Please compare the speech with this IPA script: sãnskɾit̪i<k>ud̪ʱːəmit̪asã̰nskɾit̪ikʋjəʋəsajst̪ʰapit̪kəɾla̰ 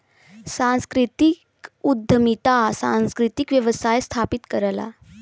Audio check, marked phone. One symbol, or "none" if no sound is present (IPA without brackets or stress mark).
k